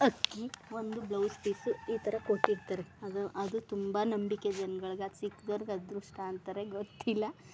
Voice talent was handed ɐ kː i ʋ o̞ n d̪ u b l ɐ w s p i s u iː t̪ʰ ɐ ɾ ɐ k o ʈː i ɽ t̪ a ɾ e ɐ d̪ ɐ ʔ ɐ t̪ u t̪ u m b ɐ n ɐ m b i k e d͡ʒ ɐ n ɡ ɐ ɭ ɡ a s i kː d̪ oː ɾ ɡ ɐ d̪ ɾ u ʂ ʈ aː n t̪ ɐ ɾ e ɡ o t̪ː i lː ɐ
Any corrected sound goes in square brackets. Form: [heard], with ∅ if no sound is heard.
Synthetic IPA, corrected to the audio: ɐ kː i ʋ o̞ n d̪ u b l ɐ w s p i s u iː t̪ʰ ɐ ɾ ɐ k o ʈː i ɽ t̪ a ɾ e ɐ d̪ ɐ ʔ ɐ [d̪] u t̪ u m b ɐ n ɐ m b i k e d͡ʒ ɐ n ɡ ɐ ɭ ɡ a s i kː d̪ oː ɾ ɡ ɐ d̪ ɾ u ʂ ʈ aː n t̪ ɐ ɾ e ɡ o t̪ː i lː ɐ